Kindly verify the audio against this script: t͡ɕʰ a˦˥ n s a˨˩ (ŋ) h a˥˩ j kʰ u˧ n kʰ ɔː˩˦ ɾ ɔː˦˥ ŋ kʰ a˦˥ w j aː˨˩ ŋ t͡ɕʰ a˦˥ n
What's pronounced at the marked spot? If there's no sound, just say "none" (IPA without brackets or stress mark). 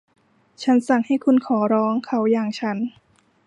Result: ŋ